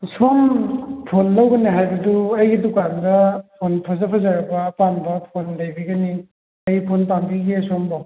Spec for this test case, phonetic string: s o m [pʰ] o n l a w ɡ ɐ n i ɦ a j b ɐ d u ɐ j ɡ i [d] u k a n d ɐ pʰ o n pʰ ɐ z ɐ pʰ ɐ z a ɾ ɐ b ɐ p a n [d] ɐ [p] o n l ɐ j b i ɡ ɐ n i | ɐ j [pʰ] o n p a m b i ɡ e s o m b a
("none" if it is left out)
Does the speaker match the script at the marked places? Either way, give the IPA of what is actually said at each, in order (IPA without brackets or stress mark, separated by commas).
pʰ, d, b, pʰ, pʰ